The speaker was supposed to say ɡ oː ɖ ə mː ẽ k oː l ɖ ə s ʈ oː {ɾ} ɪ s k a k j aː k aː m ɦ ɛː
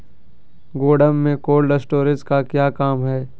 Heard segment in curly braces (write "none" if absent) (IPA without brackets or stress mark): ɾ